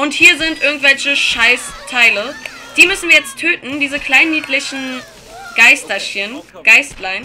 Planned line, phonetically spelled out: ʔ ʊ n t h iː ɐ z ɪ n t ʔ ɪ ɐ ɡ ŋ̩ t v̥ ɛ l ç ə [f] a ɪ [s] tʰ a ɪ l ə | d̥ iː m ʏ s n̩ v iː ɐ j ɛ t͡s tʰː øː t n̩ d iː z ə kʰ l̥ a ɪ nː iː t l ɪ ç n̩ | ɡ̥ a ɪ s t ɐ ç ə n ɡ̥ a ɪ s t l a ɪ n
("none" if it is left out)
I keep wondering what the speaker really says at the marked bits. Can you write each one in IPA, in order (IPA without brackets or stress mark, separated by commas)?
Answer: ʃ, s